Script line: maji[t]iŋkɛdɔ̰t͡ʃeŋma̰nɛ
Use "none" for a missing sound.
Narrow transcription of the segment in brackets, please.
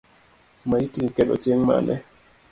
t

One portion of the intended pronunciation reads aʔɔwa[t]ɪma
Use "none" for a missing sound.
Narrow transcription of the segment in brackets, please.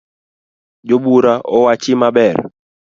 t͡ʃ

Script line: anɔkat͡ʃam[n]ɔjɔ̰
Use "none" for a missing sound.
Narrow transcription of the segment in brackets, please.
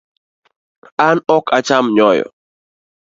ɲ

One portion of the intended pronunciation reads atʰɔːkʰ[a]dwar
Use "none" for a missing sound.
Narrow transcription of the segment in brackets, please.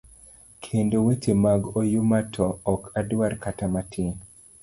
a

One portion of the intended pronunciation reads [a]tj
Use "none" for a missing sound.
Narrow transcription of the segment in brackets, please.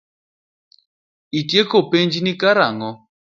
i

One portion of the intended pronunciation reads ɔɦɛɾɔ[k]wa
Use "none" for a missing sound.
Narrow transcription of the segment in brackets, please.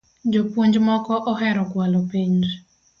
k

